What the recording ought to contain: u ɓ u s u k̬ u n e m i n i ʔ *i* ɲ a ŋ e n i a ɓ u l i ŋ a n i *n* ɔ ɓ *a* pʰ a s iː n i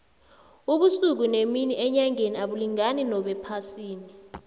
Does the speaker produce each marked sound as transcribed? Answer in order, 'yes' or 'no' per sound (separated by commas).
no, yes, no